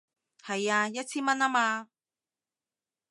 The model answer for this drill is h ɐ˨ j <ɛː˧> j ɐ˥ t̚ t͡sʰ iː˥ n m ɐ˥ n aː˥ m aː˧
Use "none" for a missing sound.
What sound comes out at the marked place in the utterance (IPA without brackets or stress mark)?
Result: aː˧